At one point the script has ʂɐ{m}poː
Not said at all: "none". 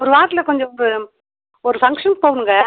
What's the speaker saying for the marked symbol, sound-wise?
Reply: n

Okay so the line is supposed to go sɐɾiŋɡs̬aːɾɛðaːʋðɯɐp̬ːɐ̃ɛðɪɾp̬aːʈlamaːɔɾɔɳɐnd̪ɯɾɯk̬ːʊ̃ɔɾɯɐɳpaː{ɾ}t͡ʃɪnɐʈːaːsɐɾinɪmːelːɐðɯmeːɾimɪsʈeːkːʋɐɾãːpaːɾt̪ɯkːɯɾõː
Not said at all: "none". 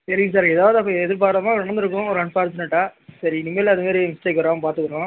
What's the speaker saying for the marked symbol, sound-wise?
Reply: ɾ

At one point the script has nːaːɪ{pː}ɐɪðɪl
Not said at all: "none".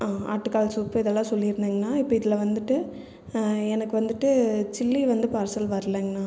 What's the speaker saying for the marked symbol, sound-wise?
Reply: pː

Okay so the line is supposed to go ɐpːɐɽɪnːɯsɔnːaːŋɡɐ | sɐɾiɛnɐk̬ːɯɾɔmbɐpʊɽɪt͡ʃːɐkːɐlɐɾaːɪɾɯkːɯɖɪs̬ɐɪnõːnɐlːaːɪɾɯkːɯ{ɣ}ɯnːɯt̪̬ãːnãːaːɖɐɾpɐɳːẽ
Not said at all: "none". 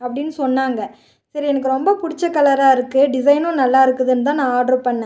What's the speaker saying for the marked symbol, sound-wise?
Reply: ð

